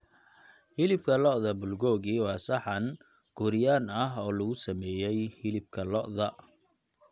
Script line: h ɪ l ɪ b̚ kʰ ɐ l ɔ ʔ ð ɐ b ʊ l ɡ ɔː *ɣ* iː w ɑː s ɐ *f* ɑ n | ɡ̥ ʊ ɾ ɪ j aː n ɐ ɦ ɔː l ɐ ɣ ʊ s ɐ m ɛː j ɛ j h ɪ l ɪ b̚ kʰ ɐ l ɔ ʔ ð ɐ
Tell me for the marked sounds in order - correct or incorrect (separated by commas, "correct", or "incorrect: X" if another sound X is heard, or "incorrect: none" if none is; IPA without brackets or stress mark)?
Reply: correct, incorrect: ħ